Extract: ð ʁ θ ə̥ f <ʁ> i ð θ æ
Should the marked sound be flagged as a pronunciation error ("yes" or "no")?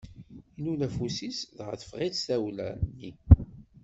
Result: no